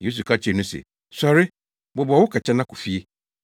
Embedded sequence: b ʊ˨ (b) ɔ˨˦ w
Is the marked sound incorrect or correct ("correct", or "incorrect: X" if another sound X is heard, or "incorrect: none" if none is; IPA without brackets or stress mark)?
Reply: correct